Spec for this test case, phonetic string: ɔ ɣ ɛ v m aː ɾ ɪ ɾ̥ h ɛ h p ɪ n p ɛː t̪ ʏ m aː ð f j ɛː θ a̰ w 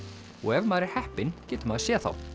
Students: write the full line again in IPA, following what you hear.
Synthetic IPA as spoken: ɔ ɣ ɛ v m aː ɾ ɪ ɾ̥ h ɛ h p ɪ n c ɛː t̪ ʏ m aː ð s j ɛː θ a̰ w